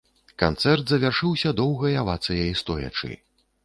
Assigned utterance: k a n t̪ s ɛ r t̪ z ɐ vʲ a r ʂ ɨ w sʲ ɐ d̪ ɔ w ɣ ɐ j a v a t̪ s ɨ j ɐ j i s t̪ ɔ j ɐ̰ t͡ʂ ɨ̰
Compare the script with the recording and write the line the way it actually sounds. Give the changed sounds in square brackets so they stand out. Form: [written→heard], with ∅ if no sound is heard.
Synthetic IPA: k a n t̪ s ɛ r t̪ z ɐ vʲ a r ʂ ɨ w sʲ ɐ d̪ ɔ w ɣ ɐ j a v a t̪ s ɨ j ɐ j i s t̪ ɔ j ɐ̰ t͡ʂ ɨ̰